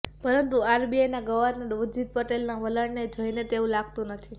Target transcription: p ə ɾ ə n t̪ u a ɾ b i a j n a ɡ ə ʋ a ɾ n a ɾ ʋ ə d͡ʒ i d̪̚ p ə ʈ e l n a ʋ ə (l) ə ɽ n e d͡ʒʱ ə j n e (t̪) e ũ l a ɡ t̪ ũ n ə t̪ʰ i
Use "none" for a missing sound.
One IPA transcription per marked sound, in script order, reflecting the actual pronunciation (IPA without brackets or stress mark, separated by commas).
l, t̪